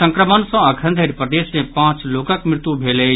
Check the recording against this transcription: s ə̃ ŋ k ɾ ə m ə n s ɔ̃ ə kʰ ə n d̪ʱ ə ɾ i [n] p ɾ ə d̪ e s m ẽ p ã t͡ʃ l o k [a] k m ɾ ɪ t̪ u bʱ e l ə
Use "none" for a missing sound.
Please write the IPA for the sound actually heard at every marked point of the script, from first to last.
none, ə

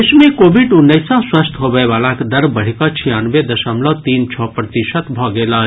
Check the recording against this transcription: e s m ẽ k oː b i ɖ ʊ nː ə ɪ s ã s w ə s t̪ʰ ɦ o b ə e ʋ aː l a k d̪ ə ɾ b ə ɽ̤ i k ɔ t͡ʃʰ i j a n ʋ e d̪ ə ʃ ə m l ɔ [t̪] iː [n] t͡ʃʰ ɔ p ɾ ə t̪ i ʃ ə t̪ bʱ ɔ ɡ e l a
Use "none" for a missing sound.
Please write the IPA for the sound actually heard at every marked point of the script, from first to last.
t̪, n

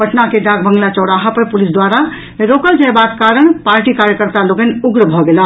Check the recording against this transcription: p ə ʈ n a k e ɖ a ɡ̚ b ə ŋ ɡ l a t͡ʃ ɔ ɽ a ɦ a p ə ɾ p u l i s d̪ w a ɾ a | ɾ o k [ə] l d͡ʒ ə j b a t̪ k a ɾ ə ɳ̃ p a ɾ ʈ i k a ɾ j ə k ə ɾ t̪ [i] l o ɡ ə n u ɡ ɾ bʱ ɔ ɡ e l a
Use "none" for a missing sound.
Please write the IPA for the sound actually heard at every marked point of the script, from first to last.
ə, a

